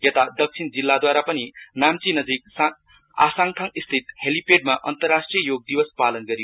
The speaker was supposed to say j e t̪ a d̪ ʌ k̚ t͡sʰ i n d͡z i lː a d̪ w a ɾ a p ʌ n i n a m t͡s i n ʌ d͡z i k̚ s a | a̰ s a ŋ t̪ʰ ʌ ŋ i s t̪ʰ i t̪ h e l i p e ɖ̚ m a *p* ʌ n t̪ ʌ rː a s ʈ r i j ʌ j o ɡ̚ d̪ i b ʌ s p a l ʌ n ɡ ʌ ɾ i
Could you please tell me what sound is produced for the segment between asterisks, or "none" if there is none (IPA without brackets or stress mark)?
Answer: ʔ